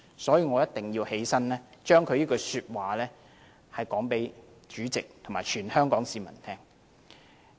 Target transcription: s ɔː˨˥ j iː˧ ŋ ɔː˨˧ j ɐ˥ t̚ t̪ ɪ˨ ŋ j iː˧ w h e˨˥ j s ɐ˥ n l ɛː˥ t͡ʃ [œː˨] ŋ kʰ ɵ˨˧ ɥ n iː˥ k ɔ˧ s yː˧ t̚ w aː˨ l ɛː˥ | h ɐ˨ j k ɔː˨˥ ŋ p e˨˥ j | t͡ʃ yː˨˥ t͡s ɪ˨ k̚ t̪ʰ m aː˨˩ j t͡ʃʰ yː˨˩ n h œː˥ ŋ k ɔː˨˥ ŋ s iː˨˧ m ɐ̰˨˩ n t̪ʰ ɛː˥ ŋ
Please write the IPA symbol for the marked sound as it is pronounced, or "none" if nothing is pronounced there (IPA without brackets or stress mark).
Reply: œː˥